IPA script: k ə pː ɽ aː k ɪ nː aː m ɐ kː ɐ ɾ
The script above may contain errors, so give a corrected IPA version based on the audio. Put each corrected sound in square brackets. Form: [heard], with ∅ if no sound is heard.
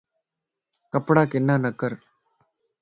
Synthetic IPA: k [ɐ] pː ɽ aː k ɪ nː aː [n] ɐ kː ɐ ɾ